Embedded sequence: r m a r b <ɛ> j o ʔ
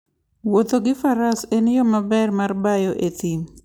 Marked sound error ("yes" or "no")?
yes